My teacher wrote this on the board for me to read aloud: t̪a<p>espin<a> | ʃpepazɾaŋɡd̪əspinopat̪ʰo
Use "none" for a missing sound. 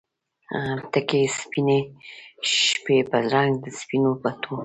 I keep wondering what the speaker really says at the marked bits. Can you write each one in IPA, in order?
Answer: k, e

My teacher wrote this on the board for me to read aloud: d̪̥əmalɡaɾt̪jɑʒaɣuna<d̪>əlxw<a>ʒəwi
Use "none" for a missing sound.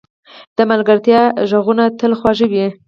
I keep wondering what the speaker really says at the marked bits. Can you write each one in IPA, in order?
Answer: t̪, ɑ

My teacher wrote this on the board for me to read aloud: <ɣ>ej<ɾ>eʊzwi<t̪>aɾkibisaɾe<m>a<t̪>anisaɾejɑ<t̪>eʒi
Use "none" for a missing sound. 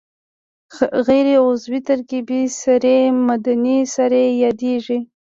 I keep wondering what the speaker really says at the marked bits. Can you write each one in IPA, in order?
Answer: ɣ, ɾ, t̪, m, d̪, d̪

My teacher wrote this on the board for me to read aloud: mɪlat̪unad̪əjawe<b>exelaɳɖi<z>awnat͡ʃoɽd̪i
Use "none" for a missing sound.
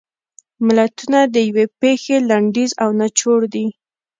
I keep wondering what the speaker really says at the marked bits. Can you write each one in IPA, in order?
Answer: p, z

